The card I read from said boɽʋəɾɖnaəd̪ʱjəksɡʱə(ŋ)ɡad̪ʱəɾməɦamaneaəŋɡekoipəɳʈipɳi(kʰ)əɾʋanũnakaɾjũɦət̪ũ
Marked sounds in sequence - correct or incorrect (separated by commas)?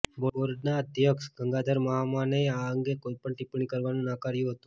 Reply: correct, incorrect